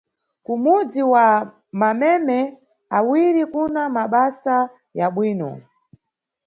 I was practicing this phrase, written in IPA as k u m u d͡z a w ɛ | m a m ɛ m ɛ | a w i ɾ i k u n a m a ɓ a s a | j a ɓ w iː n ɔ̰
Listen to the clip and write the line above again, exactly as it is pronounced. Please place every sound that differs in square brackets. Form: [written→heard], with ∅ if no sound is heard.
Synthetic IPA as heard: k u m u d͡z [a→i] w [ɛ→a] | m a m ɛ m ɛ | a w i ɾ i k u n a m a ɓ a s a | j a ɓ w iː n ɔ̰